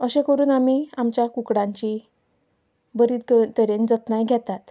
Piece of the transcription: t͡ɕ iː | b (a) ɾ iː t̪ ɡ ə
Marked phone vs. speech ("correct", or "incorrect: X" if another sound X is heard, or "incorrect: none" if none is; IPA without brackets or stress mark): incorrect: ə